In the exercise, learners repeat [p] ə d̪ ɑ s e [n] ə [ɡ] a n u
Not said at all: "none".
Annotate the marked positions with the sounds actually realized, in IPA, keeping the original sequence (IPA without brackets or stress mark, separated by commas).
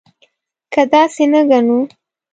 k, n, ɡ